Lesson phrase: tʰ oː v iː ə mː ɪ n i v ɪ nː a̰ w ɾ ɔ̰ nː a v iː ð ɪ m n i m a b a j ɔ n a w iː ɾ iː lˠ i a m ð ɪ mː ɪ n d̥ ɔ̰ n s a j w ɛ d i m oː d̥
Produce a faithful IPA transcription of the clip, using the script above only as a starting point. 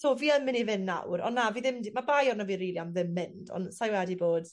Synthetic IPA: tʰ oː v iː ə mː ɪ n i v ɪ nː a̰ w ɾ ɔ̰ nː a v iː ð ɪ m d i m a b a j ɔ n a v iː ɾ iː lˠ i a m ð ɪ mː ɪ n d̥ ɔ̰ n s a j w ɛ d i b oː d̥